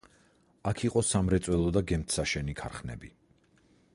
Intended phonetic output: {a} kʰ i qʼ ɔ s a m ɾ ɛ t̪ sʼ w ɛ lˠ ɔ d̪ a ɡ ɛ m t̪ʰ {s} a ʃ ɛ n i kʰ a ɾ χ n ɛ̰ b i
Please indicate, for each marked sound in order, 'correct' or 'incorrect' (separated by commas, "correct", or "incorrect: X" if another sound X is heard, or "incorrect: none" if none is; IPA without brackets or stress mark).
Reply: correct, correct